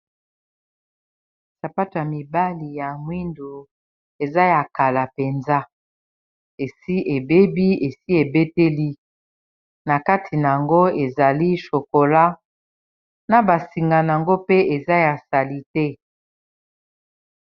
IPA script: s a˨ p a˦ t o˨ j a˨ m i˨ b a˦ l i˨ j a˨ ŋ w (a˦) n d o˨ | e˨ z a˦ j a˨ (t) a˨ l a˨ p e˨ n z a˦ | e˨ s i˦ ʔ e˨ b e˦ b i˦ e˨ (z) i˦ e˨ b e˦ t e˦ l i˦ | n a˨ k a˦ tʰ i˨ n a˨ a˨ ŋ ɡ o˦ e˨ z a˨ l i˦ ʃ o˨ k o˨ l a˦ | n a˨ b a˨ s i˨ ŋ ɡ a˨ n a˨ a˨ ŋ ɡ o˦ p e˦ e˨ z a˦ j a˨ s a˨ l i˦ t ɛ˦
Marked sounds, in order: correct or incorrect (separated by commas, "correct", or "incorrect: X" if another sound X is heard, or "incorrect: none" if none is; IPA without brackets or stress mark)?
incorrect: i˦, incorrect: k, incorrect: s